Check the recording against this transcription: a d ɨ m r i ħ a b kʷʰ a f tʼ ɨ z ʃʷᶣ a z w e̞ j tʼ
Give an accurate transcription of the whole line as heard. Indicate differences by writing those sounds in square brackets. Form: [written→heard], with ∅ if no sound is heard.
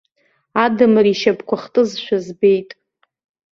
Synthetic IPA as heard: a d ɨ m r i [ħ→ʃ] a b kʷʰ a [f→χ] tʼ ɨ z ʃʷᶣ a z [w→b] e̞ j tʼ